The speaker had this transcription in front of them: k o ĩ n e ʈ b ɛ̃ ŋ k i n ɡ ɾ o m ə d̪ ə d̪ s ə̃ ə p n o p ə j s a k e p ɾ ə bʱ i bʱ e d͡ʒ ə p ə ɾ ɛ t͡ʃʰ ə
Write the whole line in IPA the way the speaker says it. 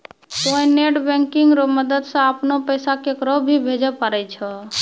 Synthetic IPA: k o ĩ n e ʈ b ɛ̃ ŋ k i ŋ ɡ ɾ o m ə d̪ ə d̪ s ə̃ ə p n o p ə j s a k e k ɾ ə bʱ i bʱ e d͡ʒ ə p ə ɾ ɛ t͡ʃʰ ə